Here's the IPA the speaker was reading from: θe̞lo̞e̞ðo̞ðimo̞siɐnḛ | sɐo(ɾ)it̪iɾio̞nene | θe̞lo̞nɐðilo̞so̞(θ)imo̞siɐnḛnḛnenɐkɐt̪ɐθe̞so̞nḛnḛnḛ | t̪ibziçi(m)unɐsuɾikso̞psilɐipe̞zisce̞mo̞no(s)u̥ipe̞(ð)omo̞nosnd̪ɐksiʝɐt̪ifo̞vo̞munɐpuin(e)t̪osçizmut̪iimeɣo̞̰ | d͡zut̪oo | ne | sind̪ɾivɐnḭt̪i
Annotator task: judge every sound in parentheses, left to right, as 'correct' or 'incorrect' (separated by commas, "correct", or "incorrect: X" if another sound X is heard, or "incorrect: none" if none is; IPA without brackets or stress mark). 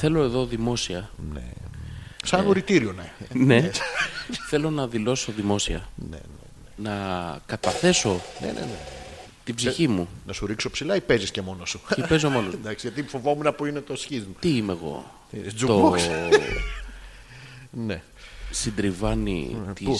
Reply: correct, incorrect: ð, correct, correct, incorrect: z, correct